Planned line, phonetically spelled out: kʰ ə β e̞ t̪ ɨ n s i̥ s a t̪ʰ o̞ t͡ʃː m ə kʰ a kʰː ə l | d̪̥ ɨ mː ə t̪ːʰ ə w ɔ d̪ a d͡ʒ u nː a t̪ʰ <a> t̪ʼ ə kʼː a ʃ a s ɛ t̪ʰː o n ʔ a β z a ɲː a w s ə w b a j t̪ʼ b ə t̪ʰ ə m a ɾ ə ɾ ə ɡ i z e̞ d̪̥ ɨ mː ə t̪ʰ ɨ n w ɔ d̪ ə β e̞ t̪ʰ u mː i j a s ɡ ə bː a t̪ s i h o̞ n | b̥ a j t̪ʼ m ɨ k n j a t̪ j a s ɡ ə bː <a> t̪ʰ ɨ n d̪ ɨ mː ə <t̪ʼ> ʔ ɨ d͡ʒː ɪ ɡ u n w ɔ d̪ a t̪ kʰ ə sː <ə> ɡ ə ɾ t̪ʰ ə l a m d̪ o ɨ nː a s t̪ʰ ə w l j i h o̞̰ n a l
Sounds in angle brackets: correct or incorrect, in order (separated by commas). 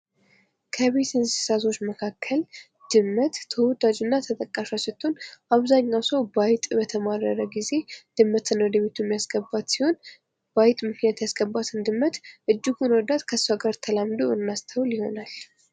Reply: incorrect, correct, incorrect, incorrect